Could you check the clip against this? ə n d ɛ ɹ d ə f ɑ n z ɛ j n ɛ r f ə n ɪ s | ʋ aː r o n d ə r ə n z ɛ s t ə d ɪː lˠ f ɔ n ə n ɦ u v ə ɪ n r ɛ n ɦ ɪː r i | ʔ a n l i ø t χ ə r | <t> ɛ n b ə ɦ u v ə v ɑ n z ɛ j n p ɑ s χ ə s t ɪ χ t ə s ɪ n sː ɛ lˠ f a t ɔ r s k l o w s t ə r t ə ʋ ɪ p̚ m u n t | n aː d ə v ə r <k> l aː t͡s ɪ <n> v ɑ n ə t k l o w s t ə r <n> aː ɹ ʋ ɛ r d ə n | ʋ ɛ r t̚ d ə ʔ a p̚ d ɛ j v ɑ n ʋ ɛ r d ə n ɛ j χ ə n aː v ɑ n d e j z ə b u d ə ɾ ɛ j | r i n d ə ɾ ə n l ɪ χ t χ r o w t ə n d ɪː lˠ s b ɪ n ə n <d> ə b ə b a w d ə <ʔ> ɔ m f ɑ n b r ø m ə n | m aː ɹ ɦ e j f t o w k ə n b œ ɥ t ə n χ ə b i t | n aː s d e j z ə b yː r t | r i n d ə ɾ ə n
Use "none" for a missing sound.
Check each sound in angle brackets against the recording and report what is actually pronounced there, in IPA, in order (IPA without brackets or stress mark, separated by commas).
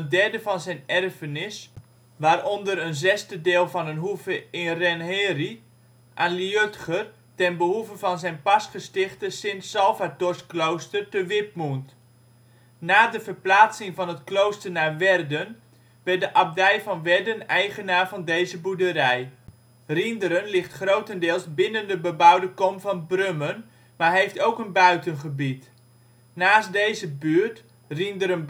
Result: t, p, ŋ, n, d, k